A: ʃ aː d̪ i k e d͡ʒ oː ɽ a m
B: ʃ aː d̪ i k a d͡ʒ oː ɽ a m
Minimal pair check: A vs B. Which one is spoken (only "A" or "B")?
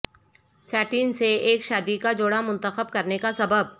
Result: B